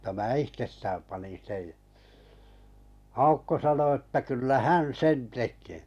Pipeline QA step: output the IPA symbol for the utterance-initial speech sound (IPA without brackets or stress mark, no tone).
m̩